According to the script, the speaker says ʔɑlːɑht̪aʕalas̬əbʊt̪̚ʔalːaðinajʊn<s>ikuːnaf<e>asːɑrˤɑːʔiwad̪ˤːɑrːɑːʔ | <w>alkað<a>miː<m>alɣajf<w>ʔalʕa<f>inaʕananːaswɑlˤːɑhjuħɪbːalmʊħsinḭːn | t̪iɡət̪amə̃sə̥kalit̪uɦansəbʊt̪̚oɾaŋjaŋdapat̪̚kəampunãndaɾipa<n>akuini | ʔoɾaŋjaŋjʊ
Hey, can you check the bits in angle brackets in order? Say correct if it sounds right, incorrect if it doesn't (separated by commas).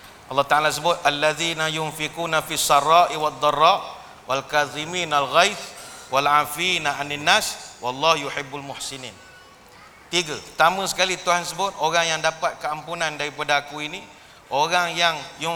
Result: incorrect, incorrect, correct, incorrect, incorrect, correct, correct, incorrect